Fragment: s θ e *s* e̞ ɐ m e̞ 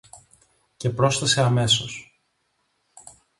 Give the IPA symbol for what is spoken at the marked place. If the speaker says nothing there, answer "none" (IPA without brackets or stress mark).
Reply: s